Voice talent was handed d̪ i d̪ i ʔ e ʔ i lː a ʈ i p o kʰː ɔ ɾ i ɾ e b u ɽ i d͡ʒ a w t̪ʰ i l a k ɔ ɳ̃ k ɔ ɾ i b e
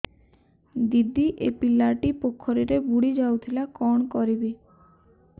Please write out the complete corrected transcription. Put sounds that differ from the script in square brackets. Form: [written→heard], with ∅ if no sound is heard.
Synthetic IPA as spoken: d̪ i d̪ i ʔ e [ʔ→p] i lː a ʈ i p o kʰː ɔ ɾ i ɾ e b u ɽ i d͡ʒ a w t̪ʰ i l a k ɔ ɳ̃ k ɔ ɾ i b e